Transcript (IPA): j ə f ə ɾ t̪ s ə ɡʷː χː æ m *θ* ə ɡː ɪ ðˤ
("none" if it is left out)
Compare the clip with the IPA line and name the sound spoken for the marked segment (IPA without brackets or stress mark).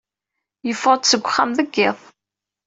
ð